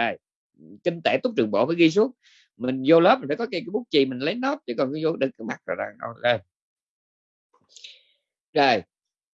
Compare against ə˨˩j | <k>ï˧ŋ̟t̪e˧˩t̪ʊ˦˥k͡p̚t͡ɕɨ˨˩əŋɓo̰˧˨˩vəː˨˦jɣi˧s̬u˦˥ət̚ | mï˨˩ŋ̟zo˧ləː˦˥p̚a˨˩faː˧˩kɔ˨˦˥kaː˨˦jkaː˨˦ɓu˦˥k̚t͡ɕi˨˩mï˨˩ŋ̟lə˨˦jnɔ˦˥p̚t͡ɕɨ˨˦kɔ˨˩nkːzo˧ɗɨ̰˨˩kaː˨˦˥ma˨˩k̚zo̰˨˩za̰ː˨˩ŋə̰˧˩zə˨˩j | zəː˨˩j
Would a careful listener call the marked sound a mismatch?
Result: no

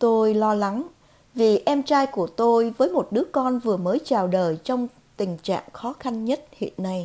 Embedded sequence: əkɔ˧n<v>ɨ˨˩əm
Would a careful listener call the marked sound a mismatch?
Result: no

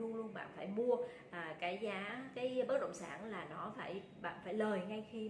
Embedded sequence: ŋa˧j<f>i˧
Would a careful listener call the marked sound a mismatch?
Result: yes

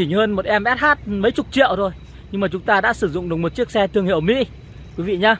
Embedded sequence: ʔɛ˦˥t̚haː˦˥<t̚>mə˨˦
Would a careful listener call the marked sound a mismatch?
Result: no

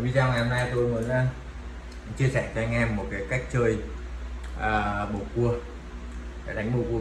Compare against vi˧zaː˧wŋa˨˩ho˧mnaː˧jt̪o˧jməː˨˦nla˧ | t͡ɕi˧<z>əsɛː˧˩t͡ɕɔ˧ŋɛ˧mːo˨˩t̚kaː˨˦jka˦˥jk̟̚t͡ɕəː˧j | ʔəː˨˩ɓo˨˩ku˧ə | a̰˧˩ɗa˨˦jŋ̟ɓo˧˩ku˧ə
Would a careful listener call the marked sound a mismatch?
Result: yes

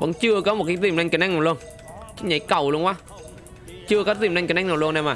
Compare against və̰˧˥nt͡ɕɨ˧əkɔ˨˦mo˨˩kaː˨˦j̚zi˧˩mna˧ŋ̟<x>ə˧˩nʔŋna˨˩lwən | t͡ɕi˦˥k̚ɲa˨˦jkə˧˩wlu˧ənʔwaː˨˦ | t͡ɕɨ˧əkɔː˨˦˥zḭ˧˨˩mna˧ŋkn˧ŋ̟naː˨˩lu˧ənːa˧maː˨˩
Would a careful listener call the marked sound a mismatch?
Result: yes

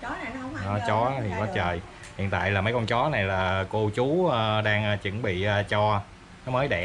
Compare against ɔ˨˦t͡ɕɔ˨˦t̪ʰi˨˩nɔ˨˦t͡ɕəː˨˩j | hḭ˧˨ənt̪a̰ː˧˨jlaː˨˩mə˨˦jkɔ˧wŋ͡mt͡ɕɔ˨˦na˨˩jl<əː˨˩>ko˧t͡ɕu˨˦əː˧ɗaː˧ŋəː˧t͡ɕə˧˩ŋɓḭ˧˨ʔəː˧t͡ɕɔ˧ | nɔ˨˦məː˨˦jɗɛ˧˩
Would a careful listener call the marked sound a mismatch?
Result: yes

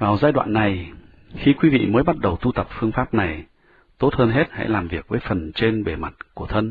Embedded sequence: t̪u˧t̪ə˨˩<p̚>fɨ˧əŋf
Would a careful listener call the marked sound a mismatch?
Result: no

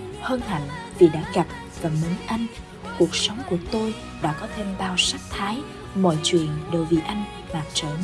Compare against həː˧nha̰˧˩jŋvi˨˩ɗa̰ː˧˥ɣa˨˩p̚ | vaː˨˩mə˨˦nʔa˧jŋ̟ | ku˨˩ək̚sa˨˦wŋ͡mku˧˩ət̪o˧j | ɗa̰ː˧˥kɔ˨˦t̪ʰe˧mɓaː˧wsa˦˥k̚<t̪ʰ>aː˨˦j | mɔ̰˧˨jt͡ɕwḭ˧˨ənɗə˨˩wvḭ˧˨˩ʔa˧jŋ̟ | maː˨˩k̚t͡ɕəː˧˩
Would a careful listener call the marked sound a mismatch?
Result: no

